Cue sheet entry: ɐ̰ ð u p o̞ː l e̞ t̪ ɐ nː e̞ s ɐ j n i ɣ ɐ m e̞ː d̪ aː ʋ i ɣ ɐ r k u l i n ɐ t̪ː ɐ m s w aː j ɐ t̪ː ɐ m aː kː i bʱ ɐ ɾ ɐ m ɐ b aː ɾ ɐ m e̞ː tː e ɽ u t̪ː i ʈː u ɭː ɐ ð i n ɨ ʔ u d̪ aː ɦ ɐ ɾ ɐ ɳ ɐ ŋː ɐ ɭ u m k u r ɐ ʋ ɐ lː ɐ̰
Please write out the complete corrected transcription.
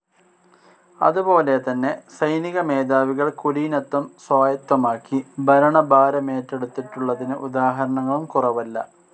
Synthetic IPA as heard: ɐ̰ ð u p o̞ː l e̞ t̪ ɐ nː e̞ s ɐ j n i ɣ ɐ m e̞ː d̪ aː ʋ i ɣ ɐ ɭ k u l i n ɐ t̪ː ɐ m s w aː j ɐ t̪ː ɐ m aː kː i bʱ ɐ ɾ ɐ ɳ ɐ b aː ɾ ɐ m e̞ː tː e ɽ u t̪ː i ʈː u ɭː ɐ ð i n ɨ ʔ u d̪ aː ɦ ɐ ɾ ɐ ɳ ɐ ŋː ɐ ɭ u m k u r ɐ ʋ ɐ lː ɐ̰

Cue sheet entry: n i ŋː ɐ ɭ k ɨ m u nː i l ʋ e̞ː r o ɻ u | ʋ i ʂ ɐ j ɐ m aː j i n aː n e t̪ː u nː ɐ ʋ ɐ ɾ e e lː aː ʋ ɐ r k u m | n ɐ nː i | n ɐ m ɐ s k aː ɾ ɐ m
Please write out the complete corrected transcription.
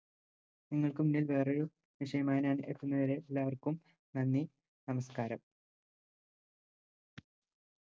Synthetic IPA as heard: n i ŋː ɐ ɭ k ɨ m u nː i l ʋ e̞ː r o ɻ u | ʋ i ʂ ɐ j ɐ m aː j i n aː n e t̪ː u nː ɐ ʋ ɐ ɾ e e lː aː ʋ ɐ r k u m | n ɐ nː i | n ɐ m ɐ s k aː ɾ ɐ m

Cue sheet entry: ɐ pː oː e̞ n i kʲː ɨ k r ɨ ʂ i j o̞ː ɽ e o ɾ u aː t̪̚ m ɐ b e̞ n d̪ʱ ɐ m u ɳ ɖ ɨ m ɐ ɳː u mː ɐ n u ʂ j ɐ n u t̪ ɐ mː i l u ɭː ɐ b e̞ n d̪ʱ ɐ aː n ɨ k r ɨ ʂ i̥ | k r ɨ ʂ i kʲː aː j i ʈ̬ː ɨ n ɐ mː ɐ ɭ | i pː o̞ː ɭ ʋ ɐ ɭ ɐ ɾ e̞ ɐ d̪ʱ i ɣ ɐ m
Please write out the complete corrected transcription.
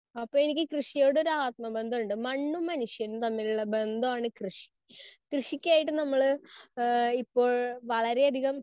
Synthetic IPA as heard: ɐ pː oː e̞ n i kʲː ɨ k r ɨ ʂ i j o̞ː ɽ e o ɾ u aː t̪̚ m ɐ b e̞ n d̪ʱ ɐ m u ɳ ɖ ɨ m ɐ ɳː u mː ɐ n u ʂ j ɐ n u t̪ ɐ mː i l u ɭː ɐ b e̞ n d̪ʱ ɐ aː ɳ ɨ k r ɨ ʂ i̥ | k r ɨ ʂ i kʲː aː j i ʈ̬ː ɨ n ɐ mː ɐ ɭ | i pː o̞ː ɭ ʋ ɐ ɭ ɐ ɾ e̞ ɐ d̪ʱ i ɣ ɐ m

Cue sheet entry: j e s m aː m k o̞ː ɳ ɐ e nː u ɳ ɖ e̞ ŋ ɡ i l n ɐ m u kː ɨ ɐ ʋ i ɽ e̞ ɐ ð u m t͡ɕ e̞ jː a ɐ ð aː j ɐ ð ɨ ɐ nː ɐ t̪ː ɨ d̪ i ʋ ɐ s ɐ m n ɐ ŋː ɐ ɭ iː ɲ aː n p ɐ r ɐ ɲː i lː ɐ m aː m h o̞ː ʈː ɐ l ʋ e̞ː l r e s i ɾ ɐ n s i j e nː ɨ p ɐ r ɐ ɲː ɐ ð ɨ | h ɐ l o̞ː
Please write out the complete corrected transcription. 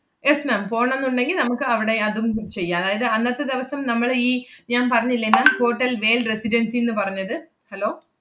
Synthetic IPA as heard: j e s m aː m p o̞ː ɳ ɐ e nː u ɳ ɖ e̞ ŋ ɡ i l n ɐ m u kː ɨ ɐ ʋ i ɽ e̞ ɐ ð u m t͡ɕ e̞ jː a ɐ ð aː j ɐ ð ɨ ɐ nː ɐ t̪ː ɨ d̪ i ʋ ɐ s ɐ m n ɐ mː ɐ ɭ iː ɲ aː n p ɐ r ɐ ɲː i lː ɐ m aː m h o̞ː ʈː ɐ l ʋ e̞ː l r e s i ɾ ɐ n s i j e nː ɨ p ɐ r ɐ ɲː ɐ ð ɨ | h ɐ l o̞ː

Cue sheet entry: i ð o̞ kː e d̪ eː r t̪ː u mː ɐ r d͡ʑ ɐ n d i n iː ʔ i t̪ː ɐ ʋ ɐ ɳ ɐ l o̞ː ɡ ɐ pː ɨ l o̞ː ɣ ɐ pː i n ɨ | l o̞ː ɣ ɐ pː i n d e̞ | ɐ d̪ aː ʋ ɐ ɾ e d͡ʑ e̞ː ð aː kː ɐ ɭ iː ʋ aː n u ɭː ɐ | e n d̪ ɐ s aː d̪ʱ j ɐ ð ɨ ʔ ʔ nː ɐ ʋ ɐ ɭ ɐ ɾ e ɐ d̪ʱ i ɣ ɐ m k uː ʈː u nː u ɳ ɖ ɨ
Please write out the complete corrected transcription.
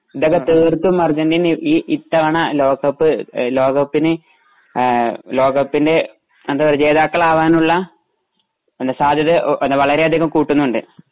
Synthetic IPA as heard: i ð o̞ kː e t̪ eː r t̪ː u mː ɐ r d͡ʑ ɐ n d i n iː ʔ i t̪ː ɐ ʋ ɐ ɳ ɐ l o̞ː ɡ ɐ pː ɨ l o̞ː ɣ ɐ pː i n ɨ | l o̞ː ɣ ɐ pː i n d e̞ | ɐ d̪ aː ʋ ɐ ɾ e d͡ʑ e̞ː ð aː kː ɐ ɭ aː ʋ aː n u ɭː ɐ | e n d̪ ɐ s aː d̪ʱ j ɐ ð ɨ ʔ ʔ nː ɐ ʋ ɐ ɭ ɐ ɾ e ɐ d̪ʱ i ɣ ɐ m k uː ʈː u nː u ɳ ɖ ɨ

